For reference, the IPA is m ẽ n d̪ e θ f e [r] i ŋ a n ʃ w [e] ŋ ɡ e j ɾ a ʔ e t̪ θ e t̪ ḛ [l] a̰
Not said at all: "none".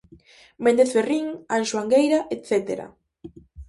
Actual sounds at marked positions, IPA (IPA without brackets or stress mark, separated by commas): r, a, ɾ